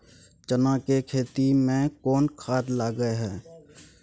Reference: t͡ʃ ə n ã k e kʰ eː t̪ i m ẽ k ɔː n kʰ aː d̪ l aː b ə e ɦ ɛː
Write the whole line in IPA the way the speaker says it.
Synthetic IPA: t͡ʃ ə n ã k e kʰ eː t̪ i m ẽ k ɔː n kʰ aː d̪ l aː ɡ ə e ɦ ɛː